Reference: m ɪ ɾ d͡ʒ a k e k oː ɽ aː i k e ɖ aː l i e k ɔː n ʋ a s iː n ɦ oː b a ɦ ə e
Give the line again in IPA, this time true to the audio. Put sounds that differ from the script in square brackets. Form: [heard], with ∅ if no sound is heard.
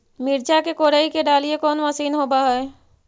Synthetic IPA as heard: m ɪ ɾ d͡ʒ a k e k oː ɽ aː i k e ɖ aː l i e k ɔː n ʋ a s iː n ɦ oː b a ɦ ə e